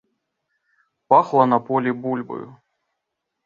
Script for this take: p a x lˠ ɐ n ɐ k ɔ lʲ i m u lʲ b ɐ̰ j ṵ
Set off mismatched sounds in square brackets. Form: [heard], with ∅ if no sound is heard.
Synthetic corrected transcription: p a x lˠ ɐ n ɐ [p] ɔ lʲ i [b] u lʲ b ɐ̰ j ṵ